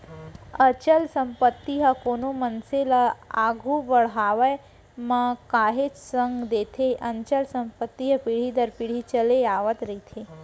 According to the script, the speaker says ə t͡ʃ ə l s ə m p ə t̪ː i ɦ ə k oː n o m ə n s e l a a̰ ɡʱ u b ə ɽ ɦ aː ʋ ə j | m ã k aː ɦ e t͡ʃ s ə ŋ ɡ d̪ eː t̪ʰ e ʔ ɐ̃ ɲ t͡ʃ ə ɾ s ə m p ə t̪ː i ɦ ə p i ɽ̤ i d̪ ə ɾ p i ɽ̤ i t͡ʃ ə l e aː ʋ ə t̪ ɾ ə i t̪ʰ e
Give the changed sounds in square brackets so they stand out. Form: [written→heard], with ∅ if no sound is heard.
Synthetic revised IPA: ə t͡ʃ ə l s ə m p ə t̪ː i ɦ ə k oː n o m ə n s e l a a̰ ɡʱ u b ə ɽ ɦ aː ʋ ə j | m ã k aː ɦ e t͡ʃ s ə ŋ ɡ d̪ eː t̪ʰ e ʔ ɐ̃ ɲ t͡ʃ ə [ɾ→l] s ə m p ə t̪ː i ɦ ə p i ɽ̤ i d̪ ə ɾ p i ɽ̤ i t͡ʃ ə l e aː ʋ ə t̪ ɾ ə i t̪ʰ e

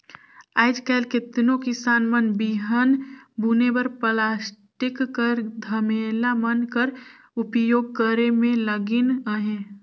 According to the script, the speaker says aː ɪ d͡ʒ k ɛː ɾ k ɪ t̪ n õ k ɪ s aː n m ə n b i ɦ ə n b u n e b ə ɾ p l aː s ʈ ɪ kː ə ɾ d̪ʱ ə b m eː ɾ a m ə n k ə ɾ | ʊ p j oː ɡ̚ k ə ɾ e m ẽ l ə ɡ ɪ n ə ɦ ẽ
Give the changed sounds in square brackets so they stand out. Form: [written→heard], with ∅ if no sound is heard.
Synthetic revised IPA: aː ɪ d͡ʒ k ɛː [ɾ→l] k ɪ t̪ n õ k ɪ s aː n m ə n b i ɦ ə n b u n e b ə ɾ p l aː s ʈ ɪ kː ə ɾ d̪ʱ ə [b→∅] m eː [ɾ→l] a m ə n k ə ɾ | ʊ p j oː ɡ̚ k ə ɾ e m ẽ l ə ɡ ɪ n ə ɦ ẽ

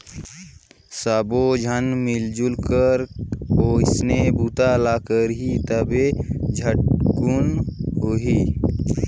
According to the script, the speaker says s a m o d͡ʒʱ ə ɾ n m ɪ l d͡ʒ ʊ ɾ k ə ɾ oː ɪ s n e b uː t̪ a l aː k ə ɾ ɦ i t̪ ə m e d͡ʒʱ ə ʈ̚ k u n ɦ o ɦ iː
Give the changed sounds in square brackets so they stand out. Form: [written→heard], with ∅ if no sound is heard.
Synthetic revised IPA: s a [m→b] o d͡ʒʱ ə [ɾ→∅] n m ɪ l d͡ʒ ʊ [ɾ→l] k ə ɾ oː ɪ s n e b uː t̪ a l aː k ə ɾ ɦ i t̪ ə [m→b] e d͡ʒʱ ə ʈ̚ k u n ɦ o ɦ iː

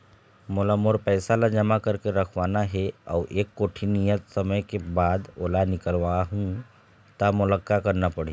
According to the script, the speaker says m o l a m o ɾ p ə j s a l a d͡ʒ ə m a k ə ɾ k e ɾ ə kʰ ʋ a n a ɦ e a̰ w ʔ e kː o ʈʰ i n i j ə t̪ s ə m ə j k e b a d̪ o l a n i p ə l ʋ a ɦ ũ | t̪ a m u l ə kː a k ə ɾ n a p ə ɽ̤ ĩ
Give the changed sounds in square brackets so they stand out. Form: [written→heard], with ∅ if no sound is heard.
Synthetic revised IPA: m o l a m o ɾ p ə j s a l a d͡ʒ ə m a k ə ɾ k e ɾ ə kʰ ʋ a n a ɦ e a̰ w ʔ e kː o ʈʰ i n i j ə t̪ s ə m ə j k e b a d̪ o l a n i [p→k] ə l ʋ a ɦ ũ | t̪ a m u l ə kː a k ə ɾ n a p ə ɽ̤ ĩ

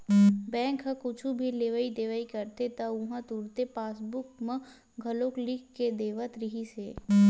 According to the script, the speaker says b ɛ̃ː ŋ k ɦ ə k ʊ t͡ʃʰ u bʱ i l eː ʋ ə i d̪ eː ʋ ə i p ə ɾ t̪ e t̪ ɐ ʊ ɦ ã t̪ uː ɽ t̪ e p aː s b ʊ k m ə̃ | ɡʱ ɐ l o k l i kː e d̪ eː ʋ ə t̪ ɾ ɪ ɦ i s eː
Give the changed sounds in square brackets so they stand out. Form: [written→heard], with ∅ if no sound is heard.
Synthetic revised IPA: b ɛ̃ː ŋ k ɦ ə k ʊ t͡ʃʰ u bʱ i l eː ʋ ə i d̪ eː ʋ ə i [p→k] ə ɾ t̪ e t̪ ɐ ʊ ɦ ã t̪ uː [ɽ→ɾ] t̪ e p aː s b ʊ k m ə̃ | ɡʱ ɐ l o k l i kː e d̪ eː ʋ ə t̪ ɾ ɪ ɦ i s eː

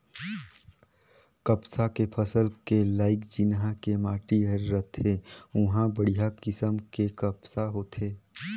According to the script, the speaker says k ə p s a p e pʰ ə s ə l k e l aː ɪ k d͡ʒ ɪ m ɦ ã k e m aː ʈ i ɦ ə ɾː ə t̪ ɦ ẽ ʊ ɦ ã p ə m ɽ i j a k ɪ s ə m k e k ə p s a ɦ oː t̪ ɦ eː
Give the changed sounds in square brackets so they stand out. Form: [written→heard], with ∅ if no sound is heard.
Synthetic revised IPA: k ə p s a [p→k] e pʰ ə s ə l k e l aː ɪ k d͡ʒ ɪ [m→n] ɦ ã k e m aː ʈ i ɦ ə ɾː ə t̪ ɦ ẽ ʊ ɦ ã [p→b] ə [m→∅] ɽ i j a k ɪ s ə m k e k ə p s a ɦ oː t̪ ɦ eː

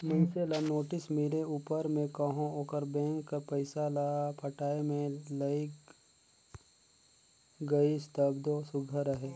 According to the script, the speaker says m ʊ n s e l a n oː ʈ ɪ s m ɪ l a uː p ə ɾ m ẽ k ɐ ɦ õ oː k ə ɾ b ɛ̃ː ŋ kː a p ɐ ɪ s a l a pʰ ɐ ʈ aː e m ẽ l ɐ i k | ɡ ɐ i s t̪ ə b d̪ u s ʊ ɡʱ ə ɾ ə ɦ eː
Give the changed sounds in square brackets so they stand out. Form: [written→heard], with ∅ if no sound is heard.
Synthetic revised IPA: m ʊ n s e l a n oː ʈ ɪ s m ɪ l [a→e] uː p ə ɾ m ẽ k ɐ ɦ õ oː k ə ɾ b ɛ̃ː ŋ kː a p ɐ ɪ s a l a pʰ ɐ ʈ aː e m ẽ l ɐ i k | ɡ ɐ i s t̪ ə b d̪ [u→o] s ʊ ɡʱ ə ɾ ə ɦ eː

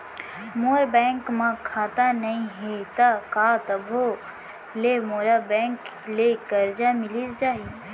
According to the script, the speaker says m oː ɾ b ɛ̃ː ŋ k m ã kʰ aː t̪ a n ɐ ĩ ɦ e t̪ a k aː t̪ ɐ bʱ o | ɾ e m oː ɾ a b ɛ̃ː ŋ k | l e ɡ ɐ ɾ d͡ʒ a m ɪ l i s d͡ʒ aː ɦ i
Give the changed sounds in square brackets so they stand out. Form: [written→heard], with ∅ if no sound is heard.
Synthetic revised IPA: m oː ɾ b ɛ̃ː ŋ k m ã kʰ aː t̪ a n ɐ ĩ ɦ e t̪ a k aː t̪ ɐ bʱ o | [ɾ→l] e m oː ɾ a b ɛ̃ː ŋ k | l e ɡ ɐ ɾ d͡ʒ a m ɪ l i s d͡ʒ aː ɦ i

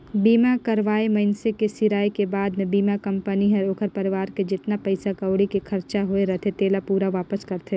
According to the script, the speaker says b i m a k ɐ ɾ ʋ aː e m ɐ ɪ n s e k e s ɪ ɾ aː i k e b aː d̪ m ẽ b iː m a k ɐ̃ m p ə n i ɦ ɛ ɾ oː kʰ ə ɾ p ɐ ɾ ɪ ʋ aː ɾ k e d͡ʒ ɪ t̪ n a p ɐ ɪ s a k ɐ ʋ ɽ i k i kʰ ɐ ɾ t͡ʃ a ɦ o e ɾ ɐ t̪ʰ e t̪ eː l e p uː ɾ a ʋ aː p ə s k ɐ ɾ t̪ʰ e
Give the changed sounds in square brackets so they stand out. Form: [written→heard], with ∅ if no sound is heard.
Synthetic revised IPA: b [i→iː] m a k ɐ ɾ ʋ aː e m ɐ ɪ n s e k e s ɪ ɾ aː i k e b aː d̪ m ẽ b iː m a k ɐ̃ m p ə n i ɦ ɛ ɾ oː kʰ ə ɾ p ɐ ɾ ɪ ʋ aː ɾ k e d͡ʒ ɪ t̪ n a p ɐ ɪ s a k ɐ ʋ ɽ i k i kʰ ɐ ɾ t͡ʃ a ɦ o e ɾ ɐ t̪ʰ e t̪ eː l [e→a] p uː ɾ a ʋ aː p ə s k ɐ ɾ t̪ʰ e

